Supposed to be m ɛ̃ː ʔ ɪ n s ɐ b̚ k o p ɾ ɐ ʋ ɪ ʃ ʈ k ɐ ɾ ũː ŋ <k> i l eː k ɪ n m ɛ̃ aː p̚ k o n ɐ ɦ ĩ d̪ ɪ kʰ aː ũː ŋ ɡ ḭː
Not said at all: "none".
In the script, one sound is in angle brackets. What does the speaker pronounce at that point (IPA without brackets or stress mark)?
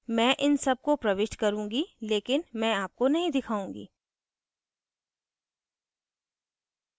ɡ